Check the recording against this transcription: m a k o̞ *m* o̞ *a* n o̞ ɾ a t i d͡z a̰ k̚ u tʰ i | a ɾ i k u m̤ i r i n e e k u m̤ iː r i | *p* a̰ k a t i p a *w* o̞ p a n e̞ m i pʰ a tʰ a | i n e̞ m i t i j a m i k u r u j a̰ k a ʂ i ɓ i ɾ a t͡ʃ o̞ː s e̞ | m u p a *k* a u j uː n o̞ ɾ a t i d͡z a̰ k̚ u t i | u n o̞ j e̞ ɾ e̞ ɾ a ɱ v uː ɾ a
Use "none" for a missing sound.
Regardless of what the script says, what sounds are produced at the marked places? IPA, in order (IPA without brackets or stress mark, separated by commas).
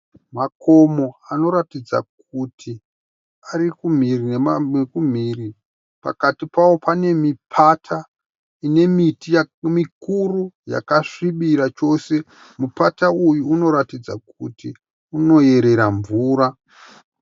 m, a, p, w, t